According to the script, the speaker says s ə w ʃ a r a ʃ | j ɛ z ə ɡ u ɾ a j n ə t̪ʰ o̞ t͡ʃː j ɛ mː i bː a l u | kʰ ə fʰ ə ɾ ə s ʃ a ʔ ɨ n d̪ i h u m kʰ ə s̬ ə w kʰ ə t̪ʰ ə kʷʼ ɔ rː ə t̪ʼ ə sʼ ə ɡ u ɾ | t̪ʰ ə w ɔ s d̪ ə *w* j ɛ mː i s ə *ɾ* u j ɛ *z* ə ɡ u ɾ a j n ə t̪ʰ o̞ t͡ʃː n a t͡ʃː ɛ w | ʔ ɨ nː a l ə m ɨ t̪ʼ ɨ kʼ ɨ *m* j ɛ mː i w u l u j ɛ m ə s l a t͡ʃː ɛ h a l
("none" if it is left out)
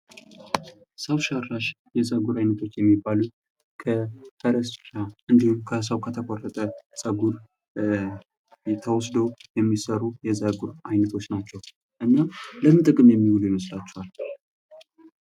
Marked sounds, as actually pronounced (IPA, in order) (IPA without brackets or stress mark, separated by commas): w, ɾ, z, m